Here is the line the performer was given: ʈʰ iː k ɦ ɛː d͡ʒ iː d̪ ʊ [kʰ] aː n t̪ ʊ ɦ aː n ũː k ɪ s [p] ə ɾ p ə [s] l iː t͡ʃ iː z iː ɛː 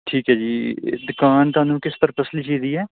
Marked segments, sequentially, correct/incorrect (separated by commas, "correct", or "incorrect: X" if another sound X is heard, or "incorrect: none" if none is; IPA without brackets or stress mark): incorrect: k, correct, correct